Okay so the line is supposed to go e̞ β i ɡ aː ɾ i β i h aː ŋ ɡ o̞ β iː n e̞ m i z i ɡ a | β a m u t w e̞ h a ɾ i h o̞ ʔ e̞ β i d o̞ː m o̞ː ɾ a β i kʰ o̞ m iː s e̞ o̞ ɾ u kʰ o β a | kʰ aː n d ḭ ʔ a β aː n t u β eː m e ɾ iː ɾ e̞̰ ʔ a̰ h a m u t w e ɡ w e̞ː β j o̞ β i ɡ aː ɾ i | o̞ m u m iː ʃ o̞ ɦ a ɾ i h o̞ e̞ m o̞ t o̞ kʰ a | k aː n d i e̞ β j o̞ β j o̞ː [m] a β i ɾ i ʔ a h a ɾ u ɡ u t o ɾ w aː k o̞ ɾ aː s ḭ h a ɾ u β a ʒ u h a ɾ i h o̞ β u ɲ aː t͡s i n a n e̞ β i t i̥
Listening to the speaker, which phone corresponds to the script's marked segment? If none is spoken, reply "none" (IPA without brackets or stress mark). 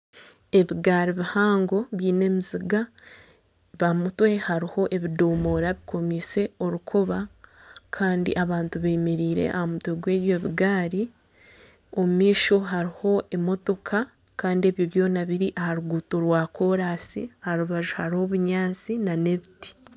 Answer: n